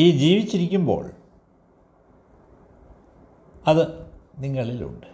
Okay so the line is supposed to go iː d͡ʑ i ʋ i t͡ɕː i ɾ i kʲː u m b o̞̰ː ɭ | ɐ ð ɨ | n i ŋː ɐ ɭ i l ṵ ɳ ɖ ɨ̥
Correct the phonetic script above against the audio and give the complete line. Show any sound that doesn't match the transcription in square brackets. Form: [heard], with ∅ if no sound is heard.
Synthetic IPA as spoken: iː d͡ʑ [iː] ʋ i t͡ɕː i ɾ i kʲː u m b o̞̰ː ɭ | ɐ ð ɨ | n i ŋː ɐ ɭ i l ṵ ɳ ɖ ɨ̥